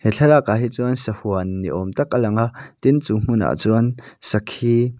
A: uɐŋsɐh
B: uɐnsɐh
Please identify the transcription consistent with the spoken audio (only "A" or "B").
B